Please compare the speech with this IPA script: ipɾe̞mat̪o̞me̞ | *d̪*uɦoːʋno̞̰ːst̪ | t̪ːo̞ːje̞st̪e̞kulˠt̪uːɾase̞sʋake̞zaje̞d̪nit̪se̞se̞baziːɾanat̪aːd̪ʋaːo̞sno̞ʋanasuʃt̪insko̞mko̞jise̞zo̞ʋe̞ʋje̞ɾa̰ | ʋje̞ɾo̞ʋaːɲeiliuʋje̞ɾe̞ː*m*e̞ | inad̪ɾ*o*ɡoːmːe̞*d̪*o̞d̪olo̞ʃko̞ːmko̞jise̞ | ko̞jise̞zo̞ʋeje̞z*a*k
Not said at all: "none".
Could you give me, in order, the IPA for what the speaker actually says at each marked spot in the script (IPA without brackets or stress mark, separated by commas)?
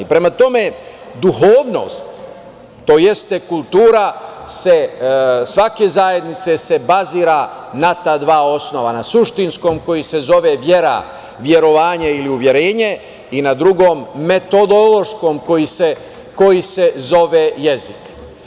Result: d̪, ɲ, u, t̪, i